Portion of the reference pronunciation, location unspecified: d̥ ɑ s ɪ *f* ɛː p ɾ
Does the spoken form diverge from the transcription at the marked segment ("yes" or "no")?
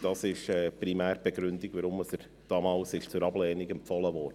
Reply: yes